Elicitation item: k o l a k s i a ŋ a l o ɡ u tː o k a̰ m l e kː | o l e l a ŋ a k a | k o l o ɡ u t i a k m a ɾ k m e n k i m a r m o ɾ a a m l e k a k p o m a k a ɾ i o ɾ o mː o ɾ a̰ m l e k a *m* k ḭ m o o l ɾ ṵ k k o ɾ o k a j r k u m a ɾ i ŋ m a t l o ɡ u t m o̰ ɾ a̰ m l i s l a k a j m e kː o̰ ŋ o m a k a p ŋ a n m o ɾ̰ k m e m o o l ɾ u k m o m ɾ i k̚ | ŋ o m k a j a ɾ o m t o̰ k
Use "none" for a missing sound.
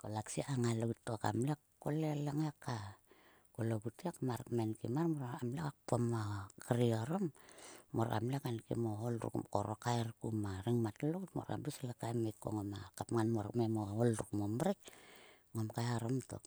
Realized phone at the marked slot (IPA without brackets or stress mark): n